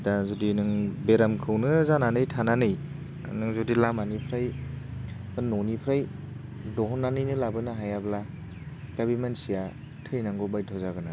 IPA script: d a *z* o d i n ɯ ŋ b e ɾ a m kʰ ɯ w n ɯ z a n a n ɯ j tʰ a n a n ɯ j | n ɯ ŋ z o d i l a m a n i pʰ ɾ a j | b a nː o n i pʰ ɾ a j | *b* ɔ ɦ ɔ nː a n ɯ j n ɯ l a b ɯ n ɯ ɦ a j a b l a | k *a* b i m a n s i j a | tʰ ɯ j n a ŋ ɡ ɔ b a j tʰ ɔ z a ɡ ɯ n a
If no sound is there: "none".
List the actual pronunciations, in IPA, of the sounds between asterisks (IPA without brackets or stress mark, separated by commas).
z, d, a